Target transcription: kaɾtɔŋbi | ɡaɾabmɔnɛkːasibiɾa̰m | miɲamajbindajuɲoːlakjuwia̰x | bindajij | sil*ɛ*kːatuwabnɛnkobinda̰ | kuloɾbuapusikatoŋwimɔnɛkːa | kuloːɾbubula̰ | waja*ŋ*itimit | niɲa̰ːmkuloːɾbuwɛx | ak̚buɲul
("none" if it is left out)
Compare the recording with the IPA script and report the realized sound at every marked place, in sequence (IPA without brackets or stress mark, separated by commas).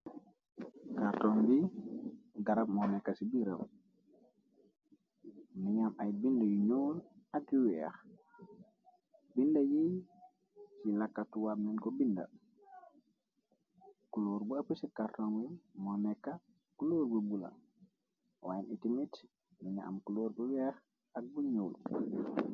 a, n